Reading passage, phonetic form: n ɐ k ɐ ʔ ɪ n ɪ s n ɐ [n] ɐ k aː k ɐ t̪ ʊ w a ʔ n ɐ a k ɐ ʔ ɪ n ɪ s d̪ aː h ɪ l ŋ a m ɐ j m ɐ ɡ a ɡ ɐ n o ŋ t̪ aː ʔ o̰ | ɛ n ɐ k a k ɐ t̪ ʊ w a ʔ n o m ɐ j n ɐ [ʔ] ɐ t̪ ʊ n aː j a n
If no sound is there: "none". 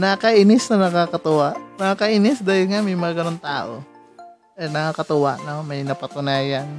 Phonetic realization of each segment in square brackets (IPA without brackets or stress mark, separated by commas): n, p